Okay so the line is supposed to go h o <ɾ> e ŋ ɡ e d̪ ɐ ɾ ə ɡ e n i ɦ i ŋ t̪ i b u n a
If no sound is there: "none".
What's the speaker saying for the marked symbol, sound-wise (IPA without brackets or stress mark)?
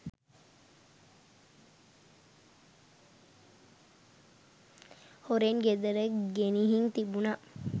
ɾ